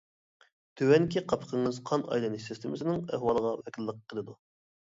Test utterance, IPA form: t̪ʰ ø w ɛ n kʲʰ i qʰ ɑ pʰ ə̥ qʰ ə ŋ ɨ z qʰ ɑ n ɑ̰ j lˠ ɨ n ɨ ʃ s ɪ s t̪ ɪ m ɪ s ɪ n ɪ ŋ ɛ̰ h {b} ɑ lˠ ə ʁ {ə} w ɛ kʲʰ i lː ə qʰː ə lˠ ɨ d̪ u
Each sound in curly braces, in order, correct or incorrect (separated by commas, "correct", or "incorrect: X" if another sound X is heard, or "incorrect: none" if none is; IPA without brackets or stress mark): incorrect: w, incorrect: ɑ